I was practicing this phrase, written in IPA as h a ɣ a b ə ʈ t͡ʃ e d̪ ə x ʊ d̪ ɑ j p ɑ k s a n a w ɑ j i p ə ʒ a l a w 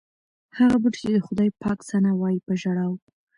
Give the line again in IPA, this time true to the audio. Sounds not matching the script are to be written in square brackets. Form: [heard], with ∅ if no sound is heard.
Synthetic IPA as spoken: h a ɣ a b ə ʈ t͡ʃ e d̪ ə x ʊ d̪ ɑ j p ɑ k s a n a w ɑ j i p ə ʒ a [ɽ] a w